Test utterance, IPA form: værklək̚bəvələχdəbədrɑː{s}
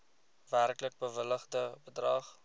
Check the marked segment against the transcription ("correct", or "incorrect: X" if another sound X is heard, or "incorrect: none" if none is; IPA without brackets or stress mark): incorrect: χ